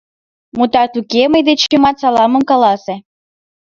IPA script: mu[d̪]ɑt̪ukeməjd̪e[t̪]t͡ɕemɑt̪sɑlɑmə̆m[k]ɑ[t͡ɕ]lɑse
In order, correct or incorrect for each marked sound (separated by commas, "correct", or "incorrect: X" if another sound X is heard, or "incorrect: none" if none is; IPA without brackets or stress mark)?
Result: incorrect: t̪, incorrect: none, correct, incorrect: none